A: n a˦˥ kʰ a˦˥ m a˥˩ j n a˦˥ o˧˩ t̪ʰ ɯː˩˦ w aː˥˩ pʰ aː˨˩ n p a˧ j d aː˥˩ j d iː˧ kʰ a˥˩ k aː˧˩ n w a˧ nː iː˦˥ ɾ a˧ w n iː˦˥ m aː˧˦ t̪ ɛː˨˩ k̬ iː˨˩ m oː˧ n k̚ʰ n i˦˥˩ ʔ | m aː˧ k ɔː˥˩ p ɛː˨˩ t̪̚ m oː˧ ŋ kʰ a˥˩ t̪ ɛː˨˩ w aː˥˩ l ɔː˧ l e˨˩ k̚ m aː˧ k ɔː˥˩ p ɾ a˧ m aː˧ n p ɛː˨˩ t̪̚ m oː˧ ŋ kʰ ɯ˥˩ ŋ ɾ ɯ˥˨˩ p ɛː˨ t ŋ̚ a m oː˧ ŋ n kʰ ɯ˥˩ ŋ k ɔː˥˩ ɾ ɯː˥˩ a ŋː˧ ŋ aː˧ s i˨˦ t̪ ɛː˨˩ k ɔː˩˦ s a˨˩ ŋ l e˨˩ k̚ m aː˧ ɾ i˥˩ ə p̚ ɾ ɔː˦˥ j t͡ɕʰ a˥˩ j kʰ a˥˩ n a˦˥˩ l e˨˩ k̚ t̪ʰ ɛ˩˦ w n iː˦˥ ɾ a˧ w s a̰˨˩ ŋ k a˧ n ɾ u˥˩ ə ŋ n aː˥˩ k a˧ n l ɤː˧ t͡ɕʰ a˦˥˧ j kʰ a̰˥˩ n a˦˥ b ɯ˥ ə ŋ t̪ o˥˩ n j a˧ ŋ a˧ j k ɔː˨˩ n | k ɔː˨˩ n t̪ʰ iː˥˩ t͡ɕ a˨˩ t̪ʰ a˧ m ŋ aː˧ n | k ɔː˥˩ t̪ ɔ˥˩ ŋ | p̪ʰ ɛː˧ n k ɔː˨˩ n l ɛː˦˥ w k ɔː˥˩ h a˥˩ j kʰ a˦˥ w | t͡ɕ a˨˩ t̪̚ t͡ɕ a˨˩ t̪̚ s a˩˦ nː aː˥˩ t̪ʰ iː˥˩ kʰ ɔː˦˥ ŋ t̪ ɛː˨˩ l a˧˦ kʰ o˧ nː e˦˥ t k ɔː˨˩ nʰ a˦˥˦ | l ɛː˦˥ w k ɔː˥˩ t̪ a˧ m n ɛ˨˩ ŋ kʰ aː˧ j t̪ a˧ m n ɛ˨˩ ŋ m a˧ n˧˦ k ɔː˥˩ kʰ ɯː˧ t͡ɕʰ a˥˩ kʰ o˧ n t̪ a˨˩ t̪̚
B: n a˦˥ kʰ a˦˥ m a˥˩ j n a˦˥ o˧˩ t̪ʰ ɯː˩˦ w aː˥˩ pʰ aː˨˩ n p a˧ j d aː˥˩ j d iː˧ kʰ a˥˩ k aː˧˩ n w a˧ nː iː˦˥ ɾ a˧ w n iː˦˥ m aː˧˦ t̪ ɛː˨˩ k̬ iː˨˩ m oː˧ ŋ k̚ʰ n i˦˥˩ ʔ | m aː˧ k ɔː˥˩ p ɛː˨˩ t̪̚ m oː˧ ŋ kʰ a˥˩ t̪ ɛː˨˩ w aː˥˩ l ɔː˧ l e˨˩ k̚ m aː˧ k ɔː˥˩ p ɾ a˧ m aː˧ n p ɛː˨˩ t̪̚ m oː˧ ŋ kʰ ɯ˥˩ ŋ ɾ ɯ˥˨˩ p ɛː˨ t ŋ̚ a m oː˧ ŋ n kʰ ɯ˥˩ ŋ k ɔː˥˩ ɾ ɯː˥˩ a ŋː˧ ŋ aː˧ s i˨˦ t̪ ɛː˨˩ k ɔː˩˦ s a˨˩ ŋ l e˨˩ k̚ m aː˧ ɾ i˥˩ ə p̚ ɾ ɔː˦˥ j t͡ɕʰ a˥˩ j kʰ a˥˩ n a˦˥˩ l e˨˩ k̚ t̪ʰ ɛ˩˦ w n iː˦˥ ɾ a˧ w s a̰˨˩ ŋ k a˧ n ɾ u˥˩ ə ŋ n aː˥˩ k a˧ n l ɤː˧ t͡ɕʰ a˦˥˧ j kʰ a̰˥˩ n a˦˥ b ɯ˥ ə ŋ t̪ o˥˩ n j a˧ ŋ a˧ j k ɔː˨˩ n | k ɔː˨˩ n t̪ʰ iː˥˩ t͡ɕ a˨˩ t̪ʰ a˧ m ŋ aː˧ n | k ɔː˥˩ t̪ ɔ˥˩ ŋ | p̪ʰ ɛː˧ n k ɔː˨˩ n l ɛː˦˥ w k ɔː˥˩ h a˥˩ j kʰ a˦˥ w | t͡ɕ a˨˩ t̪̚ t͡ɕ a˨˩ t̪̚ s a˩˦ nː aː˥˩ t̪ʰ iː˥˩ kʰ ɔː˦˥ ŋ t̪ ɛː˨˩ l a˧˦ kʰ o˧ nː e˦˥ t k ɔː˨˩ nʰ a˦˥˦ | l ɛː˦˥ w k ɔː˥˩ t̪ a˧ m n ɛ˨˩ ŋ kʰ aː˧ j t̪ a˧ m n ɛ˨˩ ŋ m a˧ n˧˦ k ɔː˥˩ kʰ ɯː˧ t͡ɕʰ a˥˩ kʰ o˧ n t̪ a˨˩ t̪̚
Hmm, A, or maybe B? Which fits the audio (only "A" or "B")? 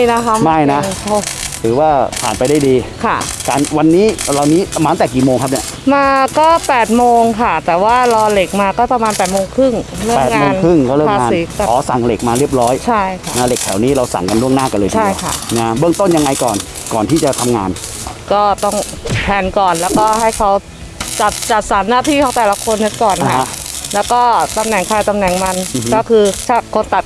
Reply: B